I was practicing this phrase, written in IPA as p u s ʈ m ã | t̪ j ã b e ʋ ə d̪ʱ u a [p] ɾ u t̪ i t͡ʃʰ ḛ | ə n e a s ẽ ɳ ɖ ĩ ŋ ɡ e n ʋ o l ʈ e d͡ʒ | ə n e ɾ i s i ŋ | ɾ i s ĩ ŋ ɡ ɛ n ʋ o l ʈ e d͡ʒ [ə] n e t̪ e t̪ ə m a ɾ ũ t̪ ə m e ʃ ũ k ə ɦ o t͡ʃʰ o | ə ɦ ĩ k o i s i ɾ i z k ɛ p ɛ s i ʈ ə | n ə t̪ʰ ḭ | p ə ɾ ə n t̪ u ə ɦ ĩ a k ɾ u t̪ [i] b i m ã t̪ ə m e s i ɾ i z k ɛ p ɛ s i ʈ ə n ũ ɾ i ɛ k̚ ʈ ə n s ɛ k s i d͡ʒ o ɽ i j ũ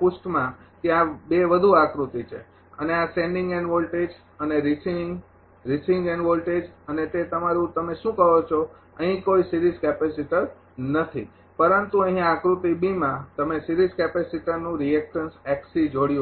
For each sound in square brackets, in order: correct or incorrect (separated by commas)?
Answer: incorrect, correct, correct